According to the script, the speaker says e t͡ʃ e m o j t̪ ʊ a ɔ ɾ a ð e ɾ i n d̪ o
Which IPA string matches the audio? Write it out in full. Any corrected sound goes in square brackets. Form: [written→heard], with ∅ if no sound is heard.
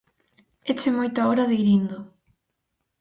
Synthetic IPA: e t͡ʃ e m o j t̪ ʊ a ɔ ɾ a ð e ɾ i n d̪ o